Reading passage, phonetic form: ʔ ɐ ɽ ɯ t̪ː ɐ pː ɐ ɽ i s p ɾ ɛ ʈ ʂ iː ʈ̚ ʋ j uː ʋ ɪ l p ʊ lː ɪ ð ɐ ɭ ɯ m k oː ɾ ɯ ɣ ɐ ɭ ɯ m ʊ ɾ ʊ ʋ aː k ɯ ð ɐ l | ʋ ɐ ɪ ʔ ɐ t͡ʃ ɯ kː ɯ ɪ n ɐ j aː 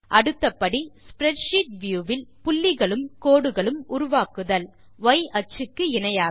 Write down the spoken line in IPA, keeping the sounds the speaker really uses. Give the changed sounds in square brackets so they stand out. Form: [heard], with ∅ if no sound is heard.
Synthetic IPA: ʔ ɐ ɽ ɯ t̪ː ɐ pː ɐ ɽ i s p ɾ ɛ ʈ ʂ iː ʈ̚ ʋ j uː ʋ ɪ l p ʊ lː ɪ [ɣ] ɐ ɭ ɯ m k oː [ɽ] ɯ ɣ ɐ ɭ ɯ m ʊ ɾ ʊ ʋ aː k ɯ ð ɐ l | ʋ ɐ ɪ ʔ ɐ t͡ʃ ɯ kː ɯ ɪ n ɐ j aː